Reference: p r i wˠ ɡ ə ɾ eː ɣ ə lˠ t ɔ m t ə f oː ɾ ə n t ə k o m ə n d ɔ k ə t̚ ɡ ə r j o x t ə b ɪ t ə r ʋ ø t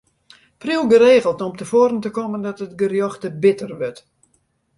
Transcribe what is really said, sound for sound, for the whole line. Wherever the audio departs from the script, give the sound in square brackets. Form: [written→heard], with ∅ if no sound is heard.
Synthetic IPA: p r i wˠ ɡ ə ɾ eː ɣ ə lˠ t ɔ m t ə f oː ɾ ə n t ə k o m ə n d ɔ [k→t] ə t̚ ɡ ə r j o x t ə b ɪ t ə r ʋ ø t